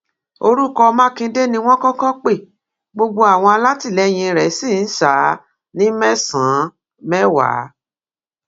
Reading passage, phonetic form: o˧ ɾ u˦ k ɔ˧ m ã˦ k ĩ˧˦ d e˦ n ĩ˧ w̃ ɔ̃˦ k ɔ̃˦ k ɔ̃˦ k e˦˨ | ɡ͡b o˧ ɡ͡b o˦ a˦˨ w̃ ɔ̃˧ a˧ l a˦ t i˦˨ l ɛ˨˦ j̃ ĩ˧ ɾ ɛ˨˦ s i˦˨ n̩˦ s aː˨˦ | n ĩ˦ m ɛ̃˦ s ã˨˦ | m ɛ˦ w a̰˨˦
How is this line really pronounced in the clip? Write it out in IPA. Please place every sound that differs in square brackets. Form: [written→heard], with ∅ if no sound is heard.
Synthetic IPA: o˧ ɾ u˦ k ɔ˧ m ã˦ k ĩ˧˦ d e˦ n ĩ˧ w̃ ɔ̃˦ k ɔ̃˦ k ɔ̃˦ [k→k͡p] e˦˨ | ɡ͡b o˧ ɡ͡b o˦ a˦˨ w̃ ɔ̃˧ a˧ l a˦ t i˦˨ l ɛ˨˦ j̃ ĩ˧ ɾ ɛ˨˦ s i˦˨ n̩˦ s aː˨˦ | n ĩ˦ m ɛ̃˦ s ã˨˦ | m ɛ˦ w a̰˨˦